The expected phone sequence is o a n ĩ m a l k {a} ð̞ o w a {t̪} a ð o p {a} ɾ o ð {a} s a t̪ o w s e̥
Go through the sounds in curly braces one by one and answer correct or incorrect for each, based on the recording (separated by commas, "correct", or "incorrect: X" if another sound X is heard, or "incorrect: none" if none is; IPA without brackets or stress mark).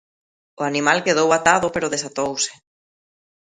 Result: incorrect: e, correct, incorrect: e, incorrect: e